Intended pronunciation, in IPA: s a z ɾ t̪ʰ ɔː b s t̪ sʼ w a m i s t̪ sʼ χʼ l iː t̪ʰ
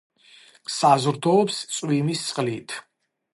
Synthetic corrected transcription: s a z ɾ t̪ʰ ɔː p s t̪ sʼ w i m i s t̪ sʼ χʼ l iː t̪ʰ